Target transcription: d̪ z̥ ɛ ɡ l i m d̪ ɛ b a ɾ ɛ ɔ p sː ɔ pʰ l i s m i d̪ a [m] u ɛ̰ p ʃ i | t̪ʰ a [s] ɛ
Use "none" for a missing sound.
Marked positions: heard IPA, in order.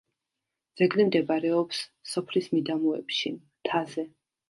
m, z

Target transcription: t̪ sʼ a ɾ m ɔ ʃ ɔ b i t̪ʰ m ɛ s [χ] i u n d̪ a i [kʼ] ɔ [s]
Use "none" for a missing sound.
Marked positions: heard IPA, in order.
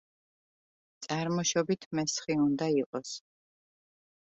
χ, qʼ, s

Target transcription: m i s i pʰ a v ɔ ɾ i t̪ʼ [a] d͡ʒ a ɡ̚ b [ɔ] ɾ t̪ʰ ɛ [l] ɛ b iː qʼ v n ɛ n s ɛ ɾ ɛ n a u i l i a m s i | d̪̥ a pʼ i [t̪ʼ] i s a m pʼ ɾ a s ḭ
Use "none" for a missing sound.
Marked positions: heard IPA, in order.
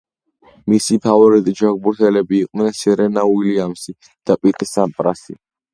i, u, l, t̪ʼ

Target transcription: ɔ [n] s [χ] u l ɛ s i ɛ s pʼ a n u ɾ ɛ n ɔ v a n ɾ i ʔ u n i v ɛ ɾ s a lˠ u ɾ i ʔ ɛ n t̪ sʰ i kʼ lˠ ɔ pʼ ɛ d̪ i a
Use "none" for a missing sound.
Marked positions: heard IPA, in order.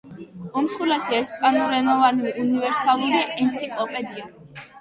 m, χ

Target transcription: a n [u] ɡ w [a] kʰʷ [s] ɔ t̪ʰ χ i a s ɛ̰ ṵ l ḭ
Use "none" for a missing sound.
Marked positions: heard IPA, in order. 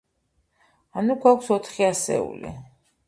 u, a, s

